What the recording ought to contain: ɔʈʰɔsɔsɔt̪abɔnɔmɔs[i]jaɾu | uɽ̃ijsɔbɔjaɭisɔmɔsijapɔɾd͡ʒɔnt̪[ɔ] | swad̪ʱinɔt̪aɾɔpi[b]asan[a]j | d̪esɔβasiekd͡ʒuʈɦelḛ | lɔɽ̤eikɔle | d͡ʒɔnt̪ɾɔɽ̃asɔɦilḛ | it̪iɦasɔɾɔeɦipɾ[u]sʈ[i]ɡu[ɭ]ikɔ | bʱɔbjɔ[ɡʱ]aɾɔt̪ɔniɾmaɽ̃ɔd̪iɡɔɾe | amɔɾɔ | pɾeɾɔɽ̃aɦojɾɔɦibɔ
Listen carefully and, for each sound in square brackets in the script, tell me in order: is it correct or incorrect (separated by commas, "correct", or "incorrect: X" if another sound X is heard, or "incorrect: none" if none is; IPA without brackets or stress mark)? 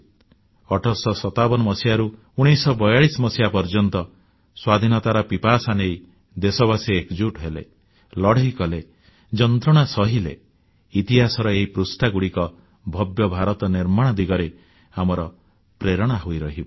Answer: correct, correct, incorrect: p, incorrect: e, correct, incorrect: a, incorrect: ɽ, incorrect: bʱ